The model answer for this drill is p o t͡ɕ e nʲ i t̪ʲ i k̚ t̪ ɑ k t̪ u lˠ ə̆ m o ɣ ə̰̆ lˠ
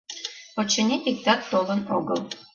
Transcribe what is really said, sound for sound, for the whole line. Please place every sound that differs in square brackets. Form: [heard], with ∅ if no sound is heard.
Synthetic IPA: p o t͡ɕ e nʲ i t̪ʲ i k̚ t̪ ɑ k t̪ [o] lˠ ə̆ [n] o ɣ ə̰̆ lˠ